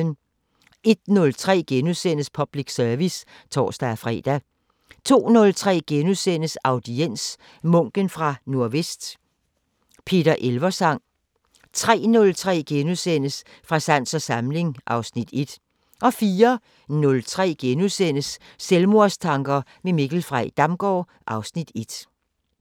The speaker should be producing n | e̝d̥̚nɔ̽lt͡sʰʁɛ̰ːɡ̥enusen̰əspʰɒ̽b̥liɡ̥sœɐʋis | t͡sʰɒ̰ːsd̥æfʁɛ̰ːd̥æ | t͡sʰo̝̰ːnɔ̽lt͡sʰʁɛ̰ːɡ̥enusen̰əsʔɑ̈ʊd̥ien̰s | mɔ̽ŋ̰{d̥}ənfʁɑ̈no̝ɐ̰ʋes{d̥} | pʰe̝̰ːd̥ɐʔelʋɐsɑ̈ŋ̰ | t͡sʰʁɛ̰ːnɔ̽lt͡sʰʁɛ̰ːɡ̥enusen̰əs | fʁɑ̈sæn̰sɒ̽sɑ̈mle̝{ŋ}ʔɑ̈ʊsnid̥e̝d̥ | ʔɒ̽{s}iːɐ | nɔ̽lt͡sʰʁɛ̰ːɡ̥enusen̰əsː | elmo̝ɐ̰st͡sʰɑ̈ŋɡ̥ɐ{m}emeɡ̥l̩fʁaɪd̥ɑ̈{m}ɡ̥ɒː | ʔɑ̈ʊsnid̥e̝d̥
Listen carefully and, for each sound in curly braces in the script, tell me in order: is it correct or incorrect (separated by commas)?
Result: incorrect, correct, correct, incorrect, correct, correct